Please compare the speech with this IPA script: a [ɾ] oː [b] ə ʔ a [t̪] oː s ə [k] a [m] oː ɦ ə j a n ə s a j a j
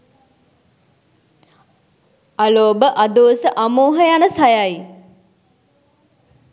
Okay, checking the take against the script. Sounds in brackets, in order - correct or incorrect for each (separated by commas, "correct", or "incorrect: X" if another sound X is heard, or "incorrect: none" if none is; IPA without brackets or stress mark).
incorrect: l, correct, incorrect: d̪, incorrect: ʔ, correct